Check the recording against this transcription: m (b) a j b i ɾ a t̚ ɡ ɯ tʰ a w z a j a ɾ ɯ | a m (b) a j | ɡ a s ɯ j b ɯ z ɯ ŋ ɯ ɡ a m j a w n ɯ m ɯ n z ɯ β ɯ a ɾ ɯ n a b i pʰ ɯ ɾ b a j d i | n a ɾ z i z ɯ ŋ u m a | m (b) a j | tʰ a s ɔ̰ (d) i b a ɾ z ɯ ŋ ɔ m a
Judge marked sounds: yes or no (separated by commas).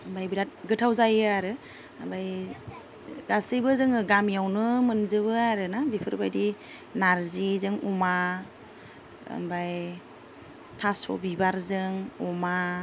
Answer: yes, yes, yes, no